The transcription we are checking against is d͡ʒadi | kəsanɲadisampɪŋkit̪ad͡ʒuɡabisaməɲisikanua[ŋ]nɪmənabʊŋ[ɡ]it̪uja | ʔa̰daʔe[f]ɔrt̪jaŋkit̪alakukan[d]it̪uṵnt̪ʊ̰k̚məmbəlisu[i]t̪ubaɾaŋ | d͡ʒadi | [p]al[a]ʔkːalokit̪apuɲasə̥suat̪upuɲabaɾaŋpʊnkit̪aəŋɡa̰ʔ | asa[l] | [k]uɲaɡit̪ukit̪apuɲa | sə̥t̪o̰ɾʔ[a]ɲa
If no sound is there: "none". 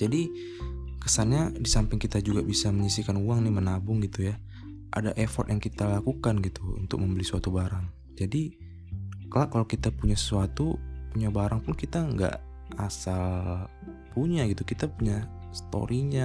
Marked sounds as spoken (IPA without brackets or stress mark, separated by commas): ŋ, ɡ, f, ɡ, a, k, a, l, p, i